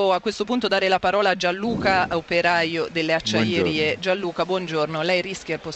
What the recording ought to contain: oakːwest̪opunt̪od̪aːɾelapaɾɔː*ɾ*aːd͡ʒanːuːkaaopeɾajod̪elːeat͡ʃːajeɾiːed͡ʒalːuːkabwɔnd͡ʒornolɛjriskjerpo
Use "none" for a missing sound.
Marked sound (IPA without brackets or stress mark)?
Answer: l